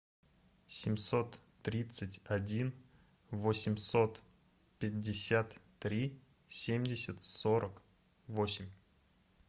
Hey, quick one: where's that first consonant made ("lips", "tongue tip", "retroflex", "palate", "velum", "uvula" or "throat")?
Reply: tongue tip